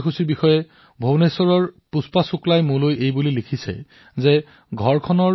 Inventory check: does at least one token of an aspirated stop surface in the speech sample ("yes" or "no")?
yes